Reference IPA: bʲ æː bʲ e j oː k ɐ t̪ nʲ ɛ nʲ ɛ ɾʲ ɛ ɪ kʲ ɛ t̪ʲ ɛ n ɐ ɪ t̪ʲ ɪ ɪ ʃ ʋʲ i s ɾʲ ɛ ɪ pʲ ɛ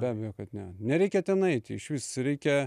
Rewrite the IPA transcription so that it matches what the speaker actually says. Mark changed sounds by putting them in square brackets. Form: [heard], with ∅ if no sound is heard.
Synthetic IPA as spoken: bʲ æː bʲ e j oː k ɐ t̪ nʲ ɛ nʲ ɛ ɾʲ ɛ ɪ kʲ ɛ t̪ʲ ɛ n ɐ ɪ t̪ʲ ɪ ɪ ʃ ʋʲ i s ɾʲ ɛ ɪ [kʲ] ɛ